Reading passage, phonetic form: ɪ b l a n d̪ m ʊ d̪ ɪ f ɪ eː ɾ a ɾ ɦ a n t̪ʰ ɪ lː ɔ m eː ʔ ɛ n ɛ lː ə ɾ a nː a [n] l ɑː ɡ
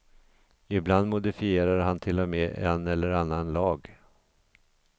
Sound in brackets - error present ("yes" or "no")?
no